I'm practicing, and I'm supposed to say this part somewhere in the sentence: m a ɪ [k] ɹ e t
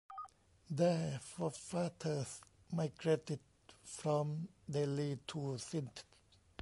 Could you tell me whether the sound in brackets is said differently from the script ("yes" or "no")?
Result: yes